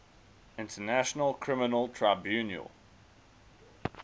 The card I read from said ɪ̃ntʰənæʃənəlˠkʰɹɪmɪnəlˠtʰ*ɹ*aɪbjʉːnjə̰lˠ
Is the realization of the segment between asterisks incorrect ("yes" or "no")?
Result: no